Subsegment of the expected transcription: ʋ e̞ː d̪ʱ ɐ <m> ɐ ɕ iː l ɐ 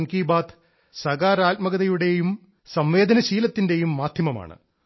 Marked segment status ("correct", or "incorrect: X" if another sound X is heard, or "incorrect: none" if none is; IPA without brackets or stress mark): incorrect: n